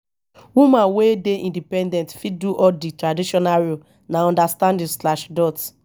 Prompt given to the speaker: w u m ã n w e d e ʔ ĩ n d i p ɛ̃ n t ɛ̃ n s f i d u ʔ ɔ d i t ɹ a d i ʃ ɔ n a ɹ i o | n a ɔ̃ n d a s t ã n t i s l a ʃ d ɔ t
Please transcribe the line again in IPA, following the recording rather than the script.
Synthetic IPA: w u m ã n w e d e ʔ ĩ n d i p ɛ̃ n d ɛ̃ n t f i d u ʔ ɔ d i t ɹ a d i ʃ ɔ n a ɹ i o | n a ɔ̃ n d a s t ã n d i s l a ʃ d ɔ t